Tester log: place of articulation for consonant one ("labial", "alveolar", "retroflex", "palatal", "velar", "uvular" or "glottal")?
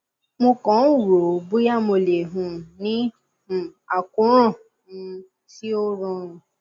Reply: labial